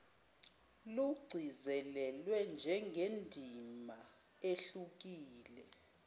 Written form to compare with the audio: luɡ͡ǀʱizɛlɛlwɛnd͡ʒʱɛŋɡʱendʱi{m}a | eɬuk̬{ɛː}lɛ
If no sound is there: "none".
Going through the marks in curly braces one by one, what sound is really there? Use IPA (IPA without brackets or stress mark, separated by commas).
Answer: m, iː